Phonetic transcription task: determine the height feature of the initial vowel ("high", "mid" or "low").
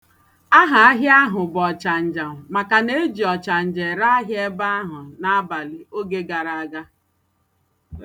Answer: low